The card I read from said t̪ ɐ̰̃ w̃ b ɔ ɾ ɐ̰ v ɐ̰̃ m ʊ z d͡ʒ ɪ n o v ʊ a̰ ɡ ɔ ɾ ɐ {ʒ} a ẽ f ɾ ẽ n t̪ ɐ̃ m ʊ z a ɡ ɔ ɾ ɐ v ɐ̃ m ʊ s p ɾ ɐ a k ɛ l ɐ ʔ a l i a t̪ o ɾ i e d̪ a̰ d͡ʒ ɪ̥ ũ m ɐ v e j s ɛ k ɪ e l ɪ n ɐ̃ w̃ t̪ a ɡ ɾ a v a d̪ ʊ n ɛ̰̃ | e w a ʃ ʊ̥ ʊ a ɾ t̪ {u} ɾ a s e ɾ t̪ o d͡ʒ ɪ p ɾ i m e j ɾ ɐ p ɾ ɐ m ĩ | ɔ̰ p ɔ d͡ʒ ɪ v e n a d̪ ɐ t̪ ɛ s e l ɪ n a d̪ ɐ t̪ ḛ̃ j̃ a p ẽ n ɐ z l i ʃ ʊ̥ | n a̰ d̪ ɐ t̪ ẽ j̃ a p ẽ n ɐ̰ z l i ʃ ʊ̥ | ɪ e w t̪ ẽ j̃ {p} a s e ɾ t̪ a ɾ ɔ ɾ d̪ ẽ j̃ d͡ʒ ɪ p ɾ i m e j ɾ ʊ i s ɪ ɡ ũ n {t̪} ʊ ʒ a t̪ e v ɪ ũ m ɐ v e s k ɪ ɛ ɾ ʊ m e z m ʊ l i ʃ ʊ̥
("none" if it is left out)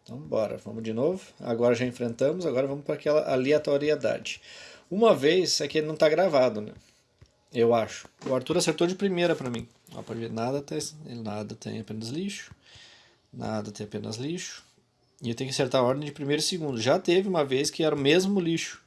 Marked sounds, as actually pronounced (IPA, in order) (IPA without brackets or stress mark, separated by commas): ʒ, u, k, d̪